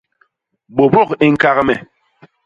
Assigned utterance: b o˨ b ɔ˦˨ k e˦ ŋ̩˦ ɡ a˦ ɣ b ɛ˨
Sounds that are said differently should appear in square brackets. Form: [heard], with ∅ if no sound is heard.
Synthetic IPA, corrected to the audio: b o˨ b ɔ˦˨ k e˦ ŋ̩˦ [k] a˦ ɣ [m] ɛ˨

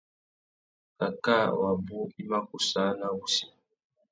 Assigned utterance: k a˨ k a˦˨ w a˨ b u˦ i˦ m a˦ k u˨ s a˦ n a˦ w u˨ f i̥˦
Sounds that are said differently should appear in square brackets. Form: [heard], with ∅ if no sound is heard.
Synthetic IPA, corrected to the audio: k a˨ k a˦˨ w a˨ b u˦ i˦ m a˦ k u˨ s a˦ n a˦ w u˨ [s] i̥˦

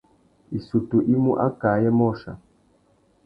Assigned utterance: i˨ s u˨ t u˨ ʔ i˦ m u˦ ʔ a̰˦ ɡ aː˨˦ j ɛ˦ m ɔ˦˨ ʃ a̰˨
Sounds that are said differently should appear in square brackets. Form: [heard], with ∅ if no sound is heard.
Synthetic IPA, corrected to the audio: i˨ s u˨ t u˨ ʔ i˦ m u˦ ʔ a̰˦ [k] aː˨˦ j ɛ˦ m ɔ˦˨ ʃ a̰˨

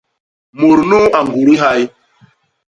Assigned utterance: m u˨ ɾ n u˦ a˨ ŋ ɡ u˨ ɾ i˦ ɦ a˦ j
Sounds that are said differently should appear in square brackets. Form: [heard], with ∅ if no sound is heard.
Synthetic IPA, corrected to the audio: m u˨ ɾ n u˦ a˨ ŋ ɡ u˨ ɾ i˦ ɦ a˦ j

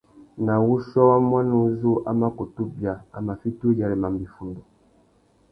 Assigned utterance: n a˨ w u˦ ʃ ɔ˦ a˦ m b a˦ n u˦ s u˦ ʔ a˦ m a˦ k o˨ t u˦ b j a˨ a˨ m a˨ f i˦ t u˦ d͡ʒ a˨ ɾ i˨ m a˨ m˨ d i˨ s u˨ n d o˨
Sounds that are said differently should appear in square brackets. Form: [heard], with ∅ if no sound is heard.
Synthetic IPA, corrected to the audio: n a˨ w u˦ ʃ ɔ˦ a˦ m [w] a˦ n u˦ [z] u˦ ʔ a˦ m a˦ k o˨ t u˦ b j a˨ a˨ m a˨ f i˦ t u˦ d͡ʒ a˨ ɾ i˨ m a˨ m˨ [b] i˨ [f] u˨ n d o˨

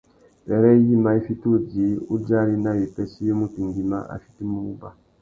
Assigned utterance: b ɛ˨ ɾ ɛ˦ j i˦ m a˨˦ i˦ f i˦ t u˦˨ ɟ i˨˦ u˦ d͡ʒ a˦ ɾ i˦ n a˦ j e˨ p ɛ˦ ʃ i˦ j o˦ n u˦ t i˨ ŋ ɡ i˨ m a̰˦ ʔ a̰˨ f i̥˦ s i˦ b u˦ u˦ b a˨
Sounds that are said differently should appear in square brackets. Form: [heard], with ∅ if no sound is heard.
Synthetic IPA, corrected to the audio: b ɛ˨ ɾ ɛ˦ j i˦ m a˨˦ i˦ f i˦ t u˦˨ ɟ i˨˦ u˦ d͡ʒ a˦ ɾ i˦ n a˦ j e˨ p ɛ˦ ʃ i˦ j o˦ [m] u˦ t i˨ ŋ ɡ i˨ m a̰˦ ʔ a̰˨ f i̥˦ [t] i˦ [m] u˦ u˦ b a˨

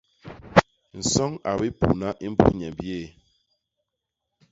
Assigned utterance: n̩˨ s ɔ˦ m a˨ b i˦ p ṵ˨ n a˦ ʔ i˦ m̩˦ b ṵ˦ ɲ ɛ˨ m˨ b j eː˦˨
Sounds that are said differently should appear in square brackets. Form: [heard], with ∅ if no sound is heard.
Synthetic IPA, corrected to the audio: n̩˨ s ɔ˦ [ŋ] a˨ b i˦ p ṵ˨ n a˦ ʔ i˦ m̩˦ b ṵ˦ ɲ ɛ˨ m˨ b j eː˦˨

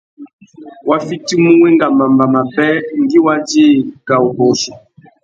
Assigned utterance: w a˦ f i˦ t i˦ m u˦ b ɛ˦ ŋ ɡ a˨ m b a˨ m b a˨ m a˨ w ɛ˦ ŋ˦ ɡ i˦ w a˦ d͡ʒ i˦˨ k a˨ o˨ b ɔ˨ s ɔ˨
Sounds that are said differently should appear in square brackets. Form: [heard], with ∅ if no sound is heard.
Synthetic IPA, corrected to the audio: w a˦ f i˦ t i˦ m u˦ [w] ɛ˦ ŋ ɡ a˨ m b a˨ m b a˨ m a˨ [b] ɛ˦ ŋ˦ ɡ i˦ w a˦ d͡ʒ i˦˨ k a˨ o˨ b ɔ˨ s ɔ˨

